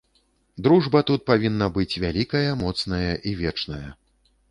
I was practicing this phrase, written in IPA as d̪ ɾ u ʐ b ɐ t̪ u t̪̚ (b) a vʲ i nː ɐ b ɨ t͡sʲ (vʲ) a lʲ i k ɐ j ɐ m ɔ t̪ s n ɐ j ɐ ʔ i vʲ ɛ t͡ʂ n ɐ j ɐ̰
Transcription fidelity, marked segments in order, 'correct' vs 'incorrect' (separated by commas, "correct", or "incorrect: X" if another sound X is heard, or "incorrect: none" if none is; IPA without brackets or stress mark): incorrect: p, correct